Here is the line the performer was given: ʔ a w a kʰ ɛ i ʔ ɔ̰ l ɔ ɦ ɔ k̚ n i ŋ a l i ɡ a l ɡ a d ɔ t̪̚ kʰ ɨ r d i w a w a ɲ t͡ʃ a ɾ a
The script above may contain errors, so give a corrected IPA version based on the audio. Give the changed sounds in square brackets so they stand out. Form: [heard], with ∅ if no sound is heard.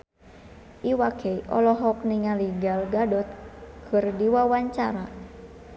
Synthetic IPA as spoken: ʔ [i] w a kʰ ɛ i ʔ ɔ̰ l ɔ ɦ ɔ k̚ n i ŋ a l i ɡ a l ɡ a d ɔ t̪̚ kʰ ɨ r d i w a w a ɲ t͡ʃ a ɾ a